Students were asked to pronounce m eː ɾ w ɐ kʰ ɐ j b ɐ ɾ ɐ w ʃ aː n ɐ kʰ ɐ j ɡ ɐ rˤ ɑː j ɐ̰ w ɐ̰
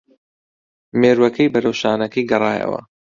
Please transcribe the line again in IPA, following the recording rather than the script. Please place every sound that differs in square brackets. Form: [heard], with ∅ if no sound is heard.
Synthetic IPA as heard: m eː ɾ w ɐ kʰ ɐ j b ɐ ɾ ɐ w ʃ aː n ɐ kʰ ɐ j ɡ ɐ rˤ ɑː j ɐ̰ w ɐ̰